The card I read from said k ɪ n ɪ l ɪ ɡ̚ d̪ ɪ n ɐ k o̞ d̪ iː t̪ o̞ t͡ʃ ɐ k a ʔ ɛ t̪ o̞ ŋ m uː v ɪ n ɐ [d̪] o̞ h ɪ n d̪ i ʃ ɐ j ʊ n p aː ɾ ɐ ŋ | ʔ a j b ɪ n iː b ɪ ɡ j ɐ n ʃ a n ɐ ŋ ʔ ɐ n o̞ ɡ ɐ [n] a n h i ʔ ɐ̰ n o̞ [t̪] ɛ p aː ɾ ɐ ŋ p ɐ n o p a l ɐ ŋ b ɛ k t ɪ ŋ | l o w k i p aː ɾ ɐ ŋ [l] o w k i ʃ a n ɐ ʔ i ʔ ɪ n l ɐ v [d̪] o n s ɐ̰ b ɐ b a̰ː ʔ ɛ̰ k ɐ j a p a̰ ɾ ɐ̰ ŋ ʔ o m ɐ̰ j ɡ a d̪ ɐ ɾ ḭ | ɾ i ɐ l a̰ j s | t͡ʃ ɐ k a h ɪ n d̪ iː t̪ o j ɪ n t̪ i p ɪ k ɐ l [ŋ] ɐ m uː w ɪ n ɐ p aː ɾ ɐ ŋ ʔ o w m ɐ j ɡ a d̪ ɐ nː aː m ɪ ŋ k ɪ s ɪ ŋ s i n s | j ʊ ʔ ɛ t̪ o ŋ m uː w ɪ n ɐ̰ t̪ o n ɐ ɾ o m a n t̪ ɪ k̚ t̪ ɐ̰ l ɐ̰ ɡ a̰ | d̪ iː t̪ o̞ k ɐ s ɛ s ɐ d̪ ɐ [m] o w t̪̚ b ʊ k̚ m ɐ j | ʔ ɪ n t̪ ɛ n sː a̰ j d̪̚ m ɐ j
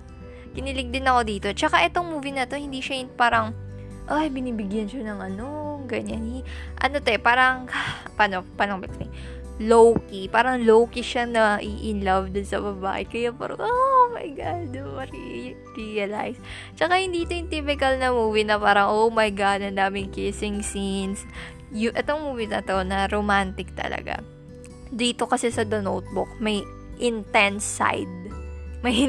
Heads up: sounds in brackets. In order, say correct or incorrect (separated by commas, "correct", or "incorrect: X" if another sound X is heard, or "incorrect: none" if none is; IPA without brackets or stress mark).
incorrect: t̪, incorrect: ɲ, correct, correct, correct, incorrect: n, incorrect: n